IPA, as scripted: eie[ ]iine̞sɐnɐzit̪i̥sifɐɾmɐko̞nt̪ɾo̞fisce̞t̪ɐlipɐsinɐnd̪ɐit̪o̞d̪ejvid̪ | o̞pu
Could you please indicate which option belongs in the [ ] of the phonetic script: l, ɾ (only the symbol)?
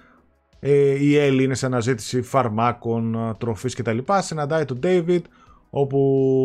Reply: l